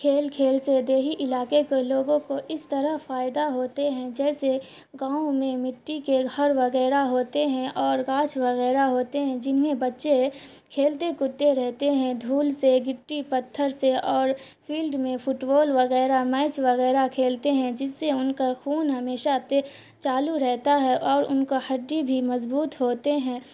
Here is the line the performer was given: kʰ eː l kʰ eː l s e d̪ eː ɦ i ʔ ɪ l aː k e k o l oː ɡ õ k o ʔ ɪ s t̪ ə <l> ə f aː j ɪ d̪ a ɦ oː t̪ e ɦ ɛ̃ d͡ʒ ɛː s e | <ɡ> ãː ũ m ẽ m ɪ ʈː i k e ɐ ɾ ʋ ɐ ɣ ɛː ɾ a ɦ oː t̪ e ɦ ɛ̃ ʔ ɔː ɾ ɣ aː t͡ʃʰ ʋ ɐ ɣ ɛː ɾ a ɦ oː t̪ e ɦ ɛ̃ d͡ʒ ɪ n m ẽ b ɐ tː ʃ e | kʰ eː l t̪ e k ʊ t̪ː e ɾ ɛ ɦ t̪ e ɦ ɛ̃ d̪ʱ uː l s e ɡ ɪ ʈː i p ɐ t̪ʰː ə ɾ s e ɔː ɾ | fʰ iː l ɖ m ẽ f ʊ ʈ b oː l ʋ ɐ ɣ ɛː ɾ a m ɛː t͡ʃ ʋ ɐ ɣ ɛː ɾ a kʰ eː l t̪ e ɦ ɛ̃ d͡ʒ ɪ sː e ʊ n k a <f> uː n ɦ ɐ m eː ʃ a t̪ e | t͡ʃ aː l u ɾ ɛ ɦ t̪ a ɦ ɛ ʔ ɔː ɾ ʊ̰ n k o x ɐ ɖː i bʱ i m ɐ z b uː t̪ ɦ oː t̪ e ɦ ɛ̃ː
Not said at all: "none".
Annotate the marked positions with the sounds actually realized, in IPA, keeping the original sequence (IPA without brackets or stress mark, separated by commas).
ɾ, ɡ, x